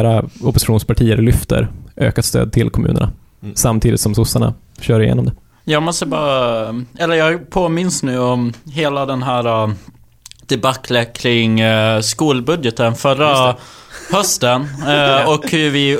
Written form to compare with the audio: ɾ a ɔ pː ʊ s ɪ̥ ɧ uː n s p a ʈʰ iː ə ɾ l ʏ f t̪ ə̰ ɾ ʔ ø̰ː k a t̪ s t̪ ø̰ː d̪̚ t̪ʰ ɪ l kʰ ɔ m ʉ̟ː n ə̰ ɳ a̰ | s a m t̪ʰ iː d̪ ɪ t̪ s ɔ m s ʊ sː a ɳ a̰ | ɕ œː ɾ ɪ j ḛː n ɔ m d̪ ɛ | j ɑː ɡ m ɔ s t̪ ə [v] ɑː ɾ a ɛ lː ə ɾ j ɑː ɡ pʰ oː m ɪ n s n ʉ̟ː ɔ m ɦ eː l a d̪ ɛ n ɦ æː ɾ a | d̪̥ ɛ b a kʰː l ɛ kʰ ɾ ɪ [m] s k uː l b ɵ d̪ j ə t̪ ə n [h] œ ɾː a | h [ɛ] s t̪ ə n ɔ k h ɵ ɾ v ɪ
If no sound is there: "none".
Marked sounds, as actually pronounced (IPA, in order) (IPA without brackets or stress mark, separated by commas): b, ŋ, f, œ